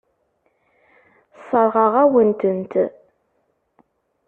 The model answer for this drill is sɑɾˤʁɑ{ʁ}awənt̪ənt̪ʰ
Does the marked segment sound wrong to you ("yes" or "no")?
no